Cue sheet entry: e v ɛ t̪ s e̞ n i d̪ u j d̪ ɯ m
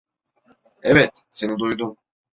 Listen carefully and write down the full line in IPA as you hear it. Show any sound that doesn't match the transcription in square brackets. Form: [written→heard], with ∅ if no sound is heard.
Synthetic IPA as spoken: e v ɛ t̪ s e̞ n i d̪ u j d̪ [ɯ→u] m